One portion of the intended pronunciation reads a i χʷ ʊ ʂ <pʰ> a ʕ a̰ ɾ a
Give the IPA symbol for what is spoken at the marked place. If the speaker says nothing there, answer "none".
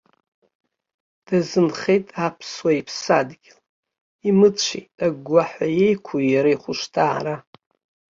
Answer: tʰ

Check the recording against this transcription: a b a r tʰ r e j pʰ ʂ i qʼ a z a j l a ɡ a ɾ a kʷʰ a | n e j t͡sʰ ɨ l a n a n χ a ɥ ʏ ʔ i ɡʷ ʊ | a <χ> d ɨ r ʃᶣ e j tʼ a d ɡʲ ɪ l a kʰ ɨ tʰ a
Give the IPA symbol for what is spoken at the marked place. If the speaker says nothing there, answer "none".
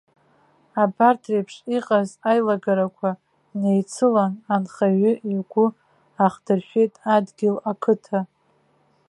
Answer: χ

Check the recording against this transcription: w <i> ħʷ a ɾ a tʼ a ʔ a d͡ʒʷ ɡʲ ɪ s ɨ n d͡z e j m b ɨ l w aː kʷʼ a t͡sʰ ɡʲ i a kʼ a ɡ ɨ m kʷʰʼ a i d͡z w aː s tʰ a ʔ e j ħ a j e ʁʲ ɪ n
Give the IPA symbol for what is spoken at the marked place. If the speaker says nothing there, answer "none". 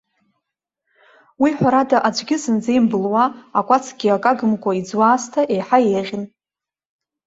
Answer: i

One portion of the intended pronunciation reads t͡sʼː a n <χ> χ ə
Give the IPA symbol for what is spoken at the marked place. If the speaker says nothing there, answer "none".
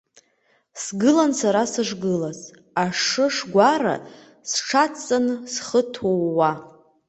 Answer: s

